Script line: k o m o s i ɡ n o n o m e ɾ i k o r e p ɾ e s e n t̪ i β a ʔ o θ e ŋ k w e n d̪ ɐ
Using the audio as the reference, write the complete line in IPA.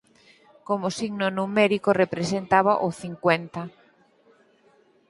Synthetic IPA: k o m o s i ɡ n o n u m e ɾ i k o r e p ɾ e s e n t̪ a β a ʔ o θ i ŋ k w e n t̪ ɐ